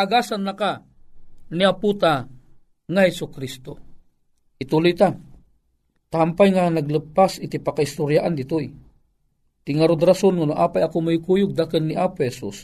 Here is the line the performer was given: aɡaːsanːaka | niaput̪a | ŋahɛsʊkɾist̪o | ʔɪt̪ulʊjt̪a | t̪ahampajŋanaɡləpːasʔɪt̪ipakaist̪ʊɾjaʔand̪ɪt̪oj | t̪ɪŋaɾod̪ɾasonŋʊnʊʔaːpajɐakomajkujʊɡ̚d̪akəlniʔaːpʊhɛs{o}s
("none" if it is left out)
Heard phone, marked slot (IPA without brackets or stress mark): u